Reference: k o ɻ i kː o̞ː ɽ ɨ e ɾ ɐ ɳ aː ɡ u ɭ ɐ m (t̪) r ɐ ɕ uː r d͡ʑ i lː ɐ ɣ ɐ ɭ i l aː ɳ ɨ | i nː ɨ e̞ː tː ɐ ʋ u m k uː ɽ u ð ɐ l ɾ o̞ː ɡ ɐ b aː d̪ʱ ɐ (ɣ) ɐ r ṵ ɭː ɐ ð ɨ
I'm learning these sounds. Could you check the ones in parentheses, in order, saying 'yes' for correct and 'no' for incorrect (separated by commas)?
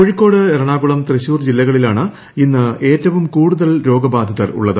yes, no